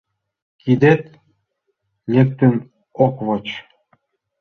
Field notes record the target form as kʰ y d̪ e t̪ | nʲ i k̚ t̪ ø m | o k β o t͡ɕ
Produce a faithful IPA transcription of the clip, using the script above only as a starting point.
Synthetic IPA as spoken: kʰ i d̪ e t̪ | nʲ e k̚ t̪ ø n | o k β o t͡ɕ